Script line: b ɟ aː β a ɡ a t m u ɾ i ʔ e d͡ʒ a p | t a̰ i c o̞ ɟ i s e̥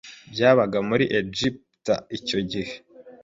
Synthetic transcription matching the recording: b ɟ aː β a ɡ a m u ɾ i ʔ e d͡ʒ i p | t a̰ i c o̞ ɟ i h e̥